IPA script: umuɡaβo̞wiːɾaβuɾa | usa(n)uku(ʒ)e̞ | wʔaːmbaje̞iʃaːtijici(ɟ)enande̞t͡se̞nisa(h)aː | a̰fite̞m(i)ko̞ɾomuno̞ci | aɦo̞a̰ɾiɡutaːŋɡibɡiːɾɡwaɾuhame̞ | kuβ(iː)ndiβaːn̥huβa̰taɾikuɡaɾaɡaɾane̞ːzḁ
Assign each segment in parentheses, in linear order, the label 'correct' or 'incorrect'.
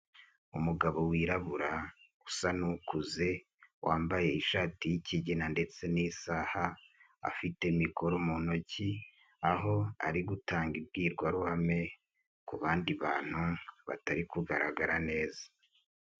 correct, incorrect: z, correct, correct, correct, incorrect: aː

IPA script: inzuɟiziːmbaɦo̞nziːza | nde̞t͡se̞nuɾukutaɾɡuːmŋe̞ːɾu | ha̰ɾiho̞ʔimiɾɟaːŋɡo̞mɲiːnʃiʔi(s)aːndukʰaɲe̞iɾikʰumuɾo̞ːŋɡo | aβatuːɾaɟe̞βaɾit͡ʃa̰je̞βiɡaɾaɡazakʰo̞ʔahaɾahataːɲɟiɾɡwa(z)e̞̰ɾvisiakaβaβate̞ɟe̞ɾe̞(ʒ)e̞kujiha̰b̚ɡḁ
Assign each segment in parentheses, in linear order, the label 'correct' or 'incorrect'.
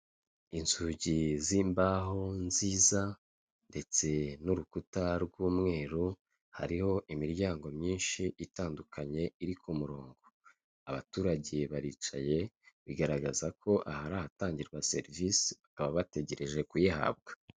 incorrect: t, incorrect: s, correct

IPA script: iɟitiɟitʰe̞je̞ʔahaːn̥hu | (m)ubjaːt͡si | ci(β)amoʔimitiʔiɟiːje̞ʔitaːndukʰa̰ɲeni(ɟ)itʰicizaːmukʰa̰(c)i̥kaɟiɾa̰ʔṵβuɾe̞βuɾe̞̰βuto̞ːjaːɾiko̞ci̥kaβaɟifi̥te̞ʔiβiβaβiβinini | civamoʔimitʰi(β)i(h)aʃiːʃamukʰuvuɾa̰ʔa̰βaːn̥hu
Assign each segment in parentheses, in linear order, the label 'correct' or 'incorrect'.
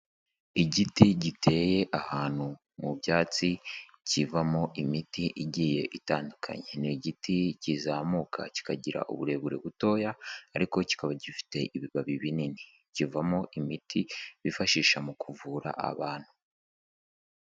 correct, incorrect: v, correct, correct, correct, incorrect: f

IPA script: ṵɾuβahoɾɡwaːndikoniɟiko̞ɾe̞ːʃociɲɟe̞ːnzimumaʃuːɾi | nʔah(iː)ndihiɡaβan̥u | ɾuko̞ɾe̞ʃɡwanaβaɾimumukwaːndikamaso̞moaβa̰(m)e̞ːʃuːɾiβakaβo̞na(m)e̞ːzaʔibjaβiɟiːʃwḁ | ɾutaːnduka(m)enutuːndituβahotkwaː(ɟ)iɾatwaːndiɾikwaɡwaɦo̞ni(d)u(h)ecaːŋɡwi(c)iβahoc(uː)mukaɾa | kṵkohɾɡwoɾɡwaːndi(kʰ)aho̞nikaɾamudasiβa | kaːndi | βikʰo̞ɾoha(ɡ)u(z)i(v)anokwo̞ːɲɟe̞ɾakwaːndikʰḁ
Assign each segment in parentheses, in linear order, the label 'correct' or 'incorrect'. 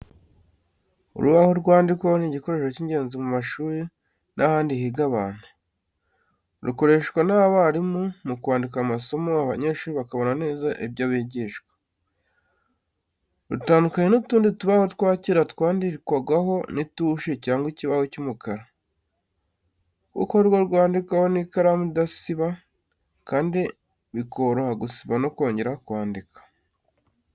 incorrect: aː, incorrect: ɲ, incorrect: n, incorrect: ɲ, incorrect: c, incorrect: t, incorrect: ʃ, correct, incorrect: u, incorrect: k, correct, incorrect: s, incorrect: β

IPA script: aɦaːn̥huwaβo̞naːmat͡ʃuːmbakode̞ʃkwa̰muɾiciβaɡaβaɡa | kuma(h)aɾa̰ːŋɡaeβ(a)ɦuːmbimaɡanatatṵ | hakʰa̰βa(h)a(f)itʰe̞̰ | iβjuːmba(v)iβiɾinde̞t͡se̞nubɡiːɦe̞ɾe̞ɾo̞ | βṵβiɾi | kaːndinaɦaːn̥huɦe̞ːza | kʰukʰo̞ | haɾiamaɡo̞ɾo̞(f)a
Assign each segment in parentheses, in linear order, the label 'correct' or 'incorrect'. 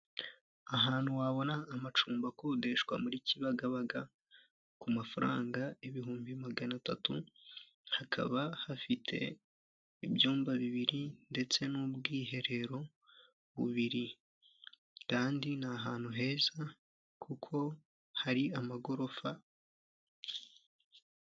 incorrect: f, incorrect: i, correct, correct, incorrect: β, correct

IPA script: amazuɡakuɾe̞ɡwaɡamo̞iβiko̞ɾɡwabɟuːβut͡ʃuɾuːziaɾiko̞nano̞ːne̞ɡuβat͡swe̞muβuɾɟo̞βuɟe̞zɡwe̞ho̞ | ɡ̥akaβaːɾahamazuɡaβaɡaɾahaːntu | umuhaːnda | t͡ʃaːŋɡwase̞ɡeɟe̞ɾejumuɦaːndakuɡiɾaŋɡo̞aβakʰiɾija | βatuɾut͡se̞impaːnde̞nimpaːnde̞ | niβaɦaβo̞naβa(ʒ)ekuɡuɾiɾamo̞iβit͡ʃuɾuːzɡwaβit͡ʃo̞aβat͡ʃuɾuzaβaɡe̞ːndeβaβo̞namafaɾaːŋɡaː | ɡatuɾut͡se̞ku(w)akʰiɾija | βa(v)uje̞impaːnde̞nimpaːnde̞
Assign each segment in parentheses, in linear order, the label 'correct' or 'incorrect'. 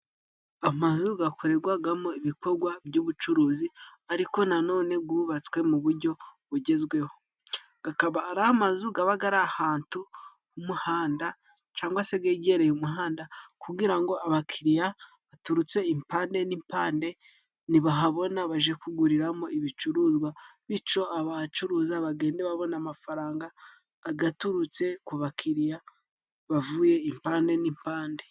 correct, incorrect: β, correct

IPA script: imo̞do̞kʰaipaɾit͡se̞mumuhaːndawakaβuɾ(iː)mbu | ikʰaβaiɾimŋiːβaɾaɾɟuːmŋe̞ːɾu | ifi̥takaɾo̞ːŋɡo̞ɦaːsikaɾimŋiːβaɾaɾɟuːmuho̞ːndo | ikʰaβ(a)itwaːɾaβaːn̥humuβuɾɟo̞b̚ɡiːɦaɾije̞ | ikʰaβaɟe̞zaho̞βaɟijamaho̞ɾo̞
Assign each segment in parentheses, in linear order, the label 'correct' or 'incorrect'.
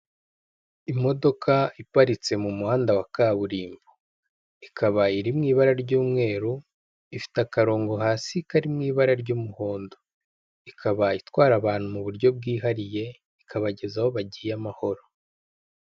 correct, correct

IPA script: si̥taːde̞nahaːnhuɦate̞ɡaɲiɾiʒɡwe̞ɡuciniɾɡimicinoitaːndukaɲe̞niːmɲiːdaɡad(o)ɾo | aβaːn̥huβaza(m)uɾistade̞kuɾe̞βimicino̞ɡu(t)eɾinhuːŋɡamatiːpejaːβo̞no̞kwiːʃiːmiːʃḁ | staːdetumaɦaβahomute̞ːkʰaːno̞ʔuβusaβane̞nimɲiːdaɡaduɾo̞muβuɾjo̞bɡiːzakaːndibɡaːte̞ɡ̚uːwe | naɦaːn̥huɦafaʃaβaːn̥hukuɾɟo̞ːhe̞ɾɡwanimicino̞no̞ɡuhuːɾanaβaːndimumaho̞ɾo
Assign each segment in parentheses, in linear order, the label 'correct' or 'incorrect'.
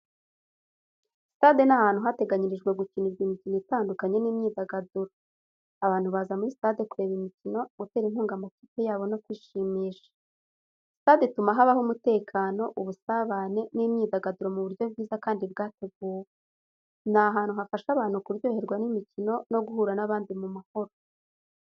incorrect: u, correct, correct

